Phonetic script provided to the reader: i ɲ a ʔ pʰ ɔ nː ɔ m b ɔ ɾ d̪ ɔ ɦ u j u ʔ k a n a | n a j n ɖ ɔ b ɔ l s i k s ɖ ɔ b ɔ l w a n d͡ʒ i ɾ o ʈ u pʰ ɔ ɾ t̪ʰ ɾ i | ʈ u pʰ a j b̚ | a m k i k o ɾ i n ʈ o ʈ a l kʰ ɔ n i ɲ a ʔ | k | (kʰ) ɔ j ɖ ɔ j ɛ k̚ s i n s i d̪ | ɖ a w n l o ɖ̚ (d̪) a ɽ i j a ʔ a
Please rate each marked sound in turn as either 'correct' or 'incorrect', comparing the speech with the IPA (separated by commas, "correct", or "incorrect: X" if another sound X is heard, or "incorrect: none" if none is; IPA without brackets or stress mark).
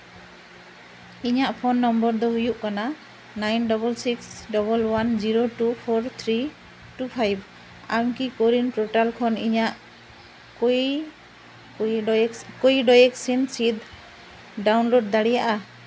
incorrect: k, correct